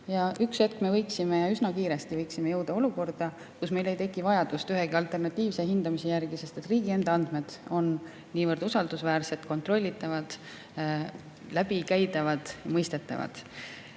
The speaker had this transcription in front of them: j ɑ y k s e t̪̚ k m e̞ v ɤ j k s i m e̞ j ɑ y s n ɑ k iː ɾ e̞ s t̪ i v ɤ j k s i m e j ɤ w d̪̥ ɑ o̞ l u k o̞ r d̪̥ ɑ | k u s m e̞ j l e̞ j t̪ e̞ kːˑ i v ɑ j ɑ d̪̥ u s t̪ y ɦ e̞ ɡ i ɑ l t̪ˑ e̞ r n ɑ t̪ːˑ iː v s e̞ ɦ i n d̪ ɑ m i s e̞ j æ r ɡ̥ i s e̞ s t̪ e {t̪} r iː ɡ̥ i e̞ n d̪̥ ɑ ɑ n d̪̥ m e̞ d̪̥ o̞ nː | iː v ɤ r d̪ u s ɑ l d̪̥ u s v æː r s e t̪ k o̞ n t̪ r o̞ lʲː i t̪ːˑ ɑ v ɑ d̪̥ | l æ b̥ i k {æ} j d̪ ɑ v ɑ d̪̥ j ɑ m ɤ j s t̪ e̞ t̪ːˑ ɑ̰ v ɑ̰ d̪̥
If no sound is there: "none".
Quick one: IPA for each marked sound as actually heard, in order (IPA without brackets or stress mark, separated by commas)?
t̪, æ